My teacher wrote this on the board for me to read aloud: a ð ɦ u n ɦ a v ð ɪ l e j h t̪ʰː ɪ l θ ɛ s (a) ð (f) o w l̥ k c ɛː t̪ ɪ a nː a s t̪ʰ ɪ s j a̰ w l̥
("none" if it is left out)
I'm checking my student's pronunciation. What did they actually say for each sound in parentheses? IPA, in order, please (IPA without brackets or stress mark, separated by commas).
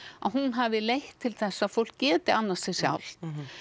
a, f